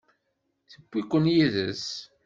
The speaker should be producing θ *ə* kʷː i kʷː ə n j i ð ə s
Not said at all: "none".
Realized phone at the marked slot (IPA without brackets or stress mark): ə